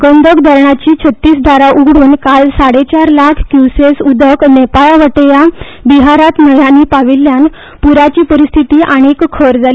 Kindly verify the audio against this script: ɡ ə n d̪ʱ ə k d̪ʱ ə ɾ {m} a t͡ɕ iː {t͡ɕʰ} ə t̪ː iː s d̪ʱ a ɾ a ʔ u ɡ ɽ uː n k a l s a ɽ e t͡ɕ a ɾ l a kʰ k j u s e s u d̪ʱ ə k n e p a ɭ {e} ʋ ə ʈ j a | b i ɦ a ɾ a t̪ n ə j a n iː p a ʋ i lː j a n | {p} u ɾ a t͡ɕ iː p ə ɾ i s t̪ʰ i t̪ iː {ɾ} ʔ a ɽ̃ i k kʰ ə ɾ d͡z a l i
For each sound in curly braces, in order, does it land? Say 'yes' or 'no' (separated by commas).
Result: no, yes, no, yes, no